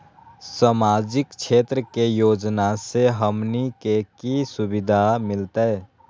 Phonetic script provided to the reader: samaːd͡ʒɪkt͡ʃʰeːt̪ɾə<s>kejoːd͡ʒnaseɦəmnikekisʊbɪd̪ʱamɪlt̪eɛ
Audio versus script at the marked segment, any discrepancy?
yes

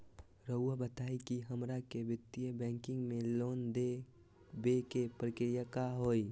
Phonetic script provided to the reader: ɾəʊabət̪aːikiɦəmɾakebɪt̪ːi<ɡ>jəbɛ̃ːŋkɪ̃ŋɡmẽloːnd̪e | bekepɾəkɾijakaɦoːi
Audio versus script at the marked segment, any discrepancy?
yes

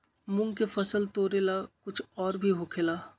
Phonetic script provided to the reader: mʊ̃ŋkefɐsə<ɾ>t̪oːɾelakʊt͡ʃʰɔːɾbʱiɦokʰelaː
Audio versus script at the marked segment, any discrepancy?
yes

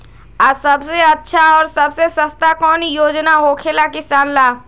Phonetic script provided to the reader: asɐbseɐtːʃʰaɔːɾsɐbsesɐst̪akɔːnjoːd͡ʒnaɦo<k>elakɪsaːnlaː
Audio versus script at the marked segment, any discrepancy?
yes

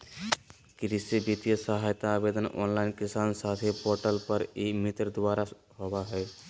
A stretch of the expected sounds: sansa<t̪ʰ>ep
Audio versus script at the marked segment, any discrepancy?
no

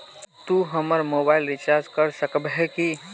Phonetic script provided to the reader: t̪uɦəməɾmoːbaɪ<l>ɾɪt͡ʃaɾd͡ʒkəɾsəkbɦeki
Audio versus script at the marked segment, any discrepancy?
no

